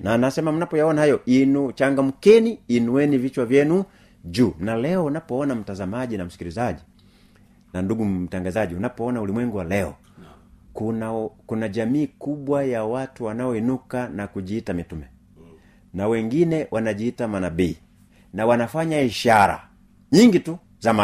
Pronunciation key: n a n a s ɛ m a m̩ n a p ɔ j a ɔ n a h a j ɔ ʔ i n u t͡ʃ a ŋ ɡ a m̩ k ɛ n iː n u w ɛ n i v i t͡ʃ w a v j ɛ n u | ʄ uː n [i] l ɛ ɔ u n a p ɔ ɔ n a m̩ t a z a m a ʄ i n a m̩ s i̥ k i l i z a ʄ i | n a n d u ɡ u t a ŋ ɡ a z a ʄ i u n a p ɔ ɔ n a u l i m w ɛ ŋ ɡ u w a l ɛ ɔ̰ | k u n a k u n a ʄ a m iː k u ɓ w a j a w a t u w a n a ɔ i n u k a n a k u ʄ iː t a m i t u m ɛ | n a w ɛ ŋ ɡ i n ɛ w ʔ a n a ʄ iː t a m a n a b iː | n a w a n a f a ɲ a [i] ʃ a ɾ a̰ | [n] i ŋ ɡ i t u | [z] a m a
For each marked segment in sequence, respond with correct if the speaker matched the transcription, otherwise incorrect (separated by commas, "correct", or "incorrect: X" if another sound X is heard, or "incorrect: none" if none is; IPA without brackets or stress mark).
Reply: incorrect: a, correct, incorrect: ɲ, correct